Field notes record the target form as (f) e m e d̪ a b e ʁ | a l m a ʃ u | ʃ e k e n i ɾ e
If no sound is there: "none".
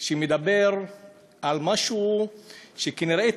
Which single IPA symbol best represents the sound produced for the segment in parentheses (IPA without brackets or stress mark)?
ʃ